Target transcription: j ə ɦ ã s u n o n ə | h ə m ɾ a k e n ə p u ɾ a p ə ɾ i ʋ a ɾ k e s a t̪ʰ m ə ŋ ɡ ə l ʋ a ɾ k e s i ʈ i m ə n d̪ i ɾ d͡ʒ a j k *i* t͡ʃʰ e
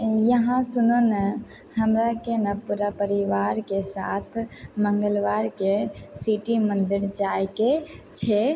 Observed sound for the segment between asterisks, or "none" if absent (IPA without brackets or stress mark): e